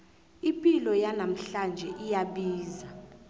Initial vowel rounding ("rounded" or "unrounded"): unrounded